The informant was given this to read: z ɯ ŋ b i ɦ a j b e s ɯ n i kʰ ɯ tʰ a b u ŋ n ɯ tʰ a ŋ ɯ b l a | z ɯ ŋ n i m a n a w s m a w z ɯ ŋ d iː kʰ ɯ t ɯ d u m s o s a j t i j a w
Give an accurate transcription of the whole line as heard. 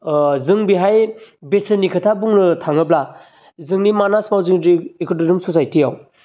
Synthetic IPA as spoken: z ɯ ŋ b i ɦ a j b e s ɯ n i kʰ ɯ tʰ a b u ŋ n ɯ tʰ a ŋ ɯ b l a | z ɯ ŋ n i m a n a s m a w z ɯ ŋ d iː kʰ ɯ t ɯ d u m s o s a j t i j a w